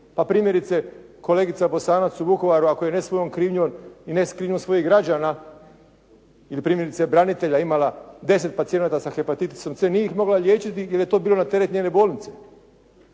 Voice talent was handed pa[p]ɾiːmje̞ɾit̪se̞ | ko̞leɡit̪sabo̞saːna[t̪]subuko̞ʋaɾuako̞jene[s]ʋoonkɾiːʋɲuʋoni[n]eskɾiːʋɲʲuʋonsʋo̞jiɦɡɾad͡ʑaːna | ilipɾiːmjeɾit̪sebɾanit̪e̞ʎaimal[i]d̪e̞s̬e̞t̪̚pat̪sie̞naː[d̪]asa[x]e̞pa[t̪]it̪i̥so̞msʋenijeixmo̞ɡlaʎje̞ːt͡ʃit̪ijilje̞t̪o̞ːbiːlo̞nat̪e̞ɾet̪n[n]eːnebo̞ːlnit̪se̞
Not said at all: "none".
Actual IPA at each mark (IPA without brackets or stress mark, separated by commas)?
p, t̪, s, n, a, t̪, x, t̪, ɲ